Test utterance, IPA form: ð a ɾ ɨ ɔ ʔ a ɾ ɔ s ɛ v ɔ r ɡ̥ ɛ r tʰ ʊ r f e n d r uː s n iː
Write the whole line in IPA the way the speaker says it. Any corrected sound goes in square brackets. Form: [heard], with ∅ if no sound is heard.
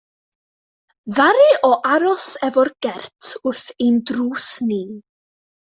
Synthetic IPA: ð a ɾ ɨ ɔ ʔ a ɾ ɔ s ɛ v ɔ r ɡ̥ ɛ r tʰ ʊ r [θ] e n d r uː s n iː